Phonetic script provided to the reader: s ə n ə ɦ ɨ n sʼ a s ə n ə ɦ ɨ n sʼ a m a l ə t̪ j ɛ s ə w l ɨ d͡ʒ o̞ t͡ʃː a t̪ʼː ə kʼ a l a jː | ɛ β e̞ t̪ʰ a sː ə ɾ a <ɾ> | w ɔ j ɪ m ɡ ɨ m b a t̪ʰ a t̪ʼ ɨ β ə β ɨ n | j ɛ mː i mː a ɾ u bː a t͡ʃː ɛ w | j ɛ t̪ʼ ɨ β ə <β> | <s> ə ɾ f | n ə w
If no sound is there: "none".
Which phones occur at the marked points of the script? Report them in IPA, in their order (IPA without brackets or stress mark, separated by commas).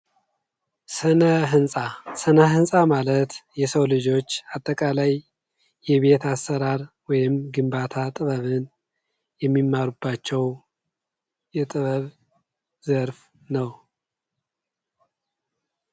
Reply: ɾ, β, z